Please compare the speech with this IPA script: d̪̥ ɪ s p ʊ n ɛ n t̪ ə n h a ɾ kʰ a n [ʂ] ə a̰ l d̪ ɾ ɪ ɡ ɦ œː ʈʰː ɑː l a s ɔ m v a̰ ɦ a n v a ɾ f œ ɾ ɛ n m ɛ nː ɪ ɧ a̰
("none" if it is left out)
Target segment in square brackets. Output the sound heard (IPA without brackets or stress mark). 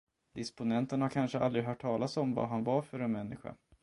ʂ